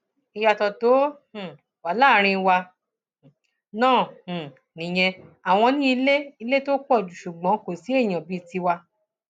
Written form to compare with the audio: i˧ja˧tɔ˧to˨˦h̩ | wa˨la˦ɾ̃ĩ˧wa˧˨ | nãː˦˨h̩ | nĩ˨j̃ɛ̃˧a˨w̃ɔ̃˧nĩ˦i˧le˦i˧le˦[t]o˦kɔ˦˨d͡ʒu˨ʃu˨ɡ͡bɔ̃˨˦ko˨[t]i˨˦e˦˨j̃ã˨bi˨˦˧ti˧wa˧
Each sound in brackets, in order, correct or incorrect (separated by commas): correct, incorrect